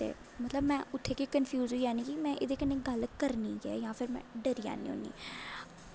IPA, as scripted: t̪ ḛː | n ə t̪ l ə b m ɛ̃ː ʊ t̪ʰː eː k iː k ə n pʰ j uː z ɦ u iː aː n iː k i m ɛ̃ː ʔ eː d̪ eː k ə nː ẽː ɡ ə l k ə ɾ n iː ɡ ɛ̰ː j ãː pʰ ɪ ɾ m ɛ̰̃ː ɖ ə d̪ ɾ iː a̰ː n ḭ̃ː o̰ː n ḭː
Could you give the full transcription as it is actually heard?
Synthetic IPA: t̪ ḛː | m ə t̪ l ə b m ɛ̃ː ʊ t̪ʰː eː k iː k ə n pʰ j uː z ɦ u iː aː n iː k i m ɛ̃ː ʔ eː d̪ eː k ə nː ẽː ɡ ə l k ə ɾ n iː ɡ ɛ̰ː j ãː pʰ ɪ ɾ m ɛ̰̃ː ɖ ə ɾ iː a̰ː n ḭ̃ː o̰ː n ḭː